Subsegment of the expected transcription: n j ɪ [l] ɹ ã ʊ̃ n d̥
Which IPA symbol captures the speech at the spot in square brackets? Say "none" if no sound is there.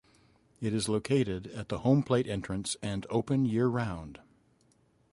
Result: ɹ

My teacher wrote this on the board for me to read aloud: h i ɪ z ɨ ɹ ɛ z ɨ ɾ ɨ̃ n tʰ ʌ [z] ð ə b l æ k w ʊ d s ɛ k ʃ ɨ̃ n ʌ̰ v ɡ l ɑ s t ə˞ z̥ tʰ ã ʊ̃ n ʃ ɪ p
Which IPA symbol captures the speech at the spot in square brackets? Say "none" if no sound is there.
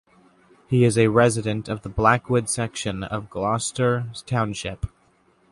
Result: v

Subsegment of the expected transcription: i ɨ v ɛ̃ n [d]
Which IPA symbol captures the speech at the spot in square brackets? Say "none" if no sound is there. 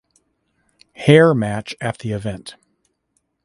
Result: t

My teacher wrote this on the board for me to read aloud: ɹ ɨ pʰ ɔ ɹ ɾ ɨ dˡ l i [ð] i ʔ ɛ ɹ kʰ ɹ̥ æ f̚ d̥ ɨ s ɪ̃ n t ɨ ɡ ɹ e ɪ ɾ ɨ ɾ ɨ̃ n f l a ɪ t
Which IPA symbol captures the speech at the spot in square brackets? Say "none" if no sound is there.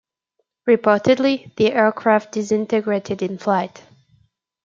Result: ð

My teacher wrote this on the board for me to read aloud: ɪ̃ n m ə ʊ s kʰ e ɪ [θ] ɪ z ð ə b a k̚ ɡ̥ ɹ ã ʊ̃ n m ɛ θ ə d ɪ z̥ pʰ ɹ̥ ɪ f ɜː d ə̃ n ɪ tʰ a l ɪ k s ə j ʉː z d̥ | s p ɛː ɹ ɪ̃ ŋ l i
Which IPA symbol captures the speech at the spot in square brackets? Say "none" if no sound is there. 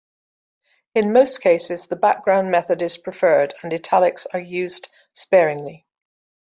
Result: s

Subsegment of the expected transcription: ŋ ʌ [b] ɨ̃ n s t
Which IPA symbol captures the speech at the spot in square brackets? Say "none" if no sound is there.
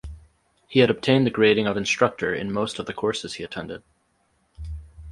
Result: v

